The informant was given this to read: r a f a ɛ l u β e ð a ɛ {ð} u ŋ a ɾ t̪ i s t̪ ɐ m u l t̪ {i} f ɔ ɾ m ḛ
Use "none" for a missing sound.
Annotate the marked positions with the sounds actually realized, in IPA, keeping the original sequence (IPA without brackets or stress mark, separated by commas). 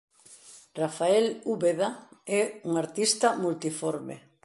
none, i